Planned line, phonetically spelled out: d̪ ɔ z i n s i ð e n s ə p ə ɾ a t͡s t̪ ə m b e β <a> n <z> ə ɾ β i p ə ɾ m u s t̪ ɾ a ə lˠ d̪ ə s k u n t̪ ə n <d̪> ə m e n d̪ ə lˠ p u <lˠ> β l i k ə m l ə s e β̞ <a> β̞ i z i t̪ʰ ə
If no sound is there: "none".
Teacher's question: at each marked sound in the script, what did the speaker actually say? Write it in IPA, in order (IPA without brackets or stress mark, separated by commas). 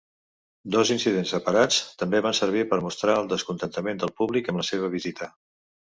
a, s, t̪, none, ə